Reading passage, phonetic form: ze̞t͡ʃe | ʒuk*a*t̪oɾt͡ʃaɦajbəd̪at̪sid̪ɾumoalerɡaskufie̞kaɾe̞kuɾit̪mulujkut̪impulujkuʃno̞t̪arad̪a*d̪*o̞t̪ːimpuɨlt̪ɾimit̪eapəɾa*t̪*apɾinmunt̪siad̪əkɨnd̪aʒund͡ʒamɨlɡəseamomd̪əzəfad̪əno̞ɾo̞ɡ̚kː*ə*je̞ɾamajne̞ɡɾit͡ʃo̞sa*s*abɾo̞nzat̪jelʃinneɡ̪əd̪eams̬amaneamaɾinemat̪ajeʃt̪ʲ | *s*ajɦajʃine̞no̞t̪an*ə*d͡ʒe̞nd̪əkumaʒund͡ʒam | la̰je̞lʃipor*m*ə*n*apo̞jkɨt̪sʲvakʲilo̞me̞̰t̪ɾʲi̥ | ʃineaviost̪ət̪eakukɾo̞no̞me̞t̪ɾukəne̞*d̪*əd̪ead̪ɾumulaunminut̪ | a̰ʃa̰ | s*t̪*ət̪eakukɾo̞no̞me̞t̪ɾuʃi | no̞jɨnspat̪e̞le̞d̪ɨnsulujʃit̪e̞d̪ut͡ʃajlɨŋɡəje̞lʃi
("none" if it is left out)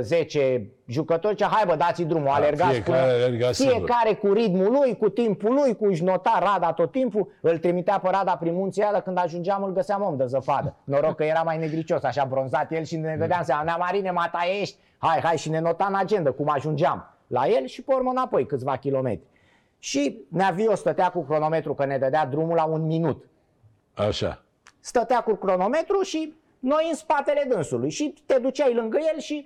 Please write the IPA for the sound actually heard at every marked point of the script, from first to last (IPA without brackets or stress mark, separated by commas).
ə, t̪, d̪, ə, ʃ, h, a, m, n, d̪, t̪